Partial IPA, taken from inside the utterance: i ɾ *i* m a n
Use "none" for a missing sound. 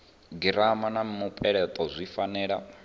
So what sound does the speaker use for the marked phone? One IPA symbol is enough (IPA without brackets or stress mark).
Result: a